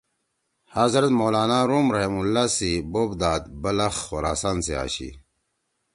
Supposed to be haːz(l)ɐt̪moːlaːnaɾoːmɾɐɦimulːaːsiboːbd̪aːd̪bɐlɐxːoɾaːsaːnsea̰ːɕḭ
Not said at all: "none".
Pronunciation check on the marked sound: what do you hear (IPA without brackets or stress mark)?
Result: ɾ